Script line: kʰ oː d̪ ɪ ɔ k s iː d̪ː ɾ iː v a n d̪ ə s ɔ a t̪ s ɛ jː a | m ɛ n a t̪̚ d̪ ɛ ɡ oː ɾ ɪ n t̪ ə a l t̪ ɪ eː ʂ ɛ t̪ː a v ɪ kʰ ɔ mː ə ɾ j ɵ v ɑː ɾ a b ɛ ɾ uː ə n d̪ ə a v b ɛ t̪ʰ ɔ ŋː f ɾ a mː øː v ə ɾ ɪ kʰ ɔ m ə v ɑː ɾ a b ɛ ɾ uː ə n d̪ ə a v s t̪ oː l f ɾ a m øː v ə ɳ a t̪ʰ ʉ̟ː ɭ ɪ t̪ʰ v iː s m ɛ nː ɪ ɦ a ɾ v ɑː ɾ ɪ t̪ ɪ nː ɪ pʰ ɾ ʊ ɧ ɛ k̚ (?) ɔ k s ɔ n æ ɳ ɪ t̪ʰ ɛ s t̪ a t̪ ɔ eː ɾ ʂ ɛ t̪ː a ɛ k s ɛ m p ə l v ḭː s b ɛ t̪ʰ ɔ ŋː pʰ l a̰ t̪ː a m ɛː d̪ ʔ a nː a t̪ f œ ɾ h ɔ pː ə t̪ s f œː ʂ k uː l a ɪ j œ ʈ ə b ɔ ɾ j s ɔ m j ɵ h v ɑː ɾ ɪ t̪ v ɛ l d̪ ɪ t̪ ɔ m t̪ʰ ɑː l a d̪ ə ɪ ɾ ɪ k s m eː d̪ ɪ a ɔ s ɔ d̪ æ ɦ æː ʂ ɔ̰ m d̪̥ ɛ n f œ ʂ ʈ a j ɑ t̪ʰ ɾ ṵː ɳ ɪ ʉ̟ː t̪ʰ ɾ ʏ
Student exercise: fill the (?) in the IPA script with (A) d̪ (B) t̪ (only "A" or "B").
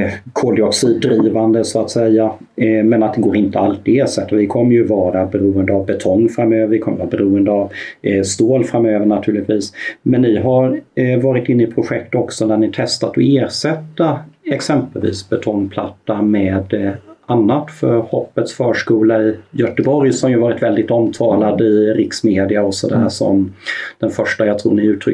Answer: B